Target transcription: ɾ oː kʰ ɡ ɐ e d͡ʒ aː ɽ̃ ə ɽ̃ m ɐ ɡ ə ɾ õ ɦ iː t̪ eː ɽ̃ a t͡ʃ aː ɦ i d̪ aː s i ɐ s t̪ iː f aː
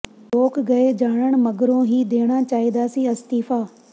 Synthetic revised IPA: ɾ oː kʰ ɡ ɐ e d͡ʒ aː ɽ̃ ə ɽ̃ m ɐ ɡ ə ɾ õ ɦ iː d̪ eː ɽ̃ a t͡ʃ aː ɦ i d̪ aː s i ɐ s t̪ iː f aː